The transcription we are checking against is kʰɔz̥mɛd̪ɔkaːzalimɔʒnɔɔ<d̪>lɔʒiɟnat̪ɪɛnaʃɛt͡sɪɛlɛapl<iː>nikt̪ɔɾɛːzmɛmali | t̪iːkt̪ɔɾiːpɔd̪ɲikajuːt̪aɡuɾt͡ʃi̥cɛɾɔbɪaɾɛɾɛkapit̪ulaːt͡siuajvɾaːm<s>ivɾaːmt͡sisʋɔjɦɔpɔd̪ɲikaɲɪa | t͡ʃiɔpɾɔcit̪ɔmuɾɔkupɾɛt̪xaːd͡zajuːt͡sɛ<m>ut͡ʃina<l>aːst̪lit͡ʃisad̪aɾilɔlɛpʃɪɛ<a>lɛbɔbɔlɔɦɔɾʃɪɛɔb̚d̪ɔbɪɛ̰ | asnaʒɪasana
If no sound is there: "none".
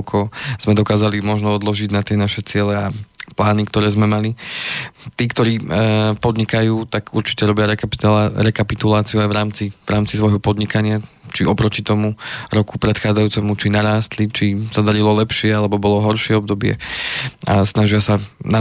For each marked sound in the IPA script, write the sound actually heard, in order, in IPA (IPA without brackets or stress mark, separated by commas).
d̪, aː, t͡s, m, ɾ, a